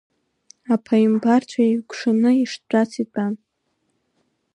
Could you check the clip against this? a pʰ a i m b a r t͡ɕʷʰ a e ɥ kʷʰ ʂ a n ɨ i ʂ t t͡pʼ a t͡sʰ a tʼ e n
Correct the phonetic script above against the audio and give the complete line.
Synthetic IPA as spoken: a pʰ a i m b a r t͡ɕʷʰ a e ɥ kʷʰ ʂ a n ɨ i ʂ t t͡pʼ a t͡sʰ i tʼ a n